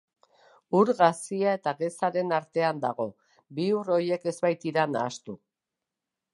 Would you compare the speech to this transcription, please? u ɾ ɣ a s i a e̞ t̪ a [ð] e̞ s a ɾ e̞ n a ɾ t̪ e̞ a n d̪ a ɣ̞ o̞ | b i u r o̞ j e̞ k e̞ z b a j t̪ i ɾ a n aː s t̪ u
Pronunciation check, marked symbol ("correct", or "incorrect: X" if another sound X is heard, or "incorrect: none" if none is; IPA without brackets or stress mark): incorrect: ɣ